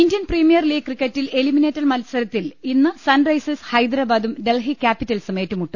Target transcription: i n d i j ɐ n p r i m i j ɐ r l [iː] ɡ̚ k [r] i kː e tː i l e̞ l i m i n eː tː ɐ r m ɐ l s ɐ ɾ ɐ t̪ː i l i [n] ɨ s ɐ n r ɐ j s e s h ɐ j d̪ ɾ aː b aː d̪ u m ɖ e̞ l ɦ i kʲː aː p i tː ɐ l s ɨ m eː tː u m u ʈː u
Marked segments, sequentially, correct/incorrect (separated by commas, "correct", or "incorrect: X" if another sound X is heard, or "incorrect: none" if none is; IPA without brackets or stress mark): correct, correct, incorrect: nː